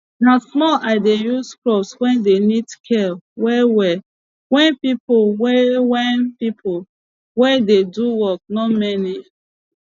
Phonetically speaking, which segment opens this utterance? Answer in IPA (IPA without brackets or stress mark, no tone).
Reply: n